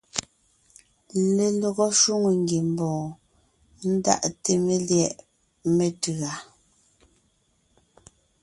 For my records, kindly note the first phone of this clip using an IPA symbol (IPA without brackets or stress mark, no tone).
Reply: l